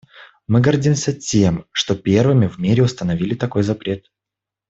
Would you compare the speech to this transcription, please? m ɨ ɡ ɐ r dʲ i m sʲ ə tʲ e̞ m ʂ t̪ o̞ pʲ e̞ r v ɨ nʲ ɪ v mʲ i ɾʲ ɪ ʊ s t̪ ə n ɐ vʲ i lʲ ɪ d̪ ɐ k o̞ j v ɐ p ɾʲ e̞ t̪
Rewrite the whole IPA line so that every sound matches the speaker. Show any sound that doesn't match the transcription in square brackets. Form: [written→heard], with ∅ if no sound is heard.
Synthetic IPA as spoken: m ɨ ɡ ɐ r dʲ i m sʲ ə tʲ e̞ m ʂ t̪ o̞ pʲ e̞ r v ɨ [nʲ→mʲ] ɪ v mʲ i ɾʲ ɪ ʊ s t̪ ə n ɐ vʲ i lʲ ɪ [d̪→t̪] ɐ k o̞ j [v→z] ɐ p ɾʲ e̞ t̪